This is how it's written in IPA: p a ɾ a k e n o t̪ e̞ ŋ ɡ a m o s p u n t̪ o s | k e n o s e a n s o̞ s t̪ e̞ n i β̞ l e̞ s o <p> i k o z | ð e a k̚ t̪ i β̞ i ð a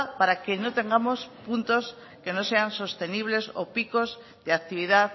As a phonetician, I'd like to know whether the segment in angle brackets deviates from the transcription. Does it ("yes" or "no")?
no